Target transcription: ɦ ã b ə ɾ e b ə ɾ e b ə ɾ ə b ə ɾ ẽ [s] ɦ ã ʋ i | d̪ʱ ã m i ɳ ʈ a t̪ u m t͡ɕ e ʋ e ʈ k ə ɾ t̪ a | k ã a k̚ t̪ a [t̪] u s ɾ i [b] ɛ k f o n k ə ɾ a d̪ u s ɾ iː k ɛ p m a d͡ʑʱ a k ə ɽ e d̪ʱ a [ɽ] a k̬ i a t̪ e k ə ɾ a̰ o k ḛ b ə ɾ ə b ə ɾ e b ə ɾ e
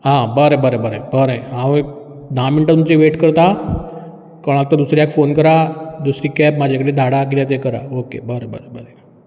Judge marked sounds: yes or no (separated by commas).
no, no, no, yes